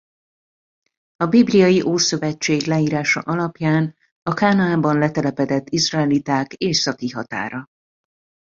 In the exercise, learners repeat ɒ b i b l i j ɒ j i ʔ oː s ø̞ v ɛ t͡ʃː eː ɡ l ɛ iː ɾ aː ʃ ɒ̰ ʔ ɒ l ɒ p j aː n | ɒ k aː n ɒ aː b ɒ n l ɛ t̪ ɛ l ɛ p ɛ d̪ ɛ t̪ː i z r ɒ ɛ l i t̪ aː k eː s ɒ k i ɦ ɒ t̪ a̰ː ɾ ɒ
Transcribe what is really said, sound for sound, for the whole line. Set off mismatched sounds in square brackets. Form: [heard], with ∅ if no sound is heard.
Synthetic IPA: ɒ b i b l i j ɒ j i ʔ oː s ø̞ v ɛ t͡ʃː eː ɡ l ɛ iː ɾ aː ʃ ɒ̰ ʔ ɒ l ɒ p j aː n | ɒ k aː n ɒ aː b ɒ n l ɛ t̪ ɛ l ɛ p ɛ d̪ ɛ t̪ː i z r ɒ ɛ l i t̪ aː k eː s ɒ k i ɦ ɒ t̪ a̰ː ɾ ɒ